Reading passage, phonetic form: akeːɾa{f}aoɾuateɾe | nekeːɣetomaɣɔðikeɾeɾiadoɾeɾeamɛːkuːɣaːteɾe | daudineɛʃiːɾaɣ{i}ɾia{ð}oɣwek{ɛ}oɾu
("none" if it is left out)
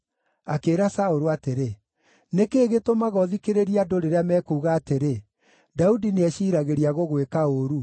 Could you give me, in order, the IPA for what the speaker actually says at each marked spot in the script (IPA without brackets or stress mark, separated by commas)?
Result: s, e, ɣ, a